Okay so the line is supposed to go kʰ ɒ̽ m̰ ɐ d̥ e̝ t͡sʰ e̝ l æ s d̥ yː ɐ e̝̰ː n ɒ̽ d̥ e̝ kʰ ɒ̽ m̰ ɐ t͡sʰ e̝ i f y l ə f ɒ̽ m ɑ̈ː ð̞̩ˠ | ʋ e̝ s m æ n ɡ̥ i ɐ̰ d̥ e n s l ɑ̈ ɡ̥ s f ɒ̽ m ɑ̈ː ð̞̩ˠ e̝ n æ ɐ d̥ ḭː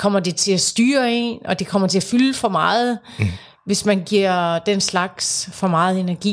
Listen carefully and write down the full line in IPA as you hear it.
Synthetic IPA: kʰ ɒ̽ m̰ ɐ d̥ e̝ t͡sʰ e̝ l æ s d̥ yː ɐ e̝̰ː n ɒ̽ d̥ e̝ kʰ ɒ̽ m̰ ɐ t͡sʰ e̝ æ f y l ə f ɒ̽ m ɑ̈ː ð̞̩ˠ | ʋ e̝ s m æ n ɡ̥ i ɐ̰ d̥ e n s l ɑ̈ ɡ̥ s f ɒ̽ m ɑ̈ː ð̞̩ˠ e̝ n æ ɐ ɡ̥ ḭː